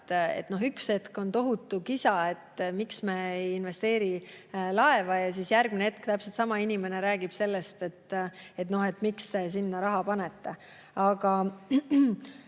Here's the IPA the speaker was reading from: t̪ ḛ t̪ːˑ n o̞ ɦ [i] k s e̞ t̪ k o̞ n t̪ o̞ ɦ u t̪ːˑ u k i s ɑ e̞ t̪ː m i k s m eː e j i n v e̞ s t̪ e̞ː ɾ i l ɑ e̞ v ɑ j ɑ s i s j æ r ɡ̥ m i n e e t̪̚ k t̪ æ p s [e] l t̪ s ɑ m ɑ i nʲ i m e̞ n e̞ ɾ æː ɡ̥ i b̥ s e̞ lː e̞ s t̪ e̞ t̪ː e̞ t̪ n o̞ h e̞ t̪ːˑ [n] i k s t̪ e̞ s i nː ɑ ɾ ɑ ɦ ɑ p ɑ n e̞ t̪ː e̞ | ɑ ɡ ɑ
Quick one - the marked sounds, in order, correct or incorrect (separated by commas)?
incorrect, correct, incorrect